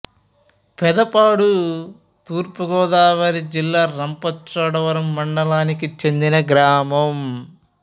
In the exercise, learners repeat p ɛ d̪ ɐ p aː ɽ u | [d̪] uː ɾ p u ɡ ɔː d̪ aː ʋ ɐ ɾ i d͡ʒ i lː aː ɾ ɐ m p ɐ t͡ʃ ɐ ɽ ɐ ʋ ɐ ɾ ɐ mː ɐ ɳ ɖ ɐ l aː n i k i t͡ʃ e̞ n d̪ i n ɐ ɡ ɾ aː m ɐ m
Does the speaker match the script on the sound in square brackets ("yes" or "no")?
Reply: no